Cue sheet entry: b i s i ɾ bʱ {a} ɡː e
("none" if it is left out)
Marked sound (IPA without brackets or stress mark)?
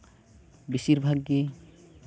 a